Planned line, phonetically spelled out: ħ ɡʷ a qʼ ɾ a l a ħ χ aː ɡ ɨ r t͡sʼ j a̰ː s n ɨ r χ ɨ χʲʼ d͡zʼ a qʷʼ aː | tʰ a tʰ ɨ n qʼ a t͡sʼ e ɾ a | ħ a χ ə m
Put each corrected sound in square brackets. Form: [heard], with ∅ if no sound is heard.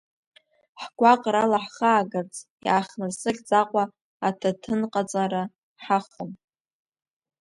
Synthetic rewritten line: ħ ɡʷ a qʼ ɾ a l a ħ χ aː ɡ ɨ r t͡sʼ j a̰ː [χ] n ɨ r [s] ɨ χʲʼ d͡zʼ a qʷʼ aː | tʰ a tʰ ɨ n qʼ a t͡sʼ [a] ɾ a | ħ a χ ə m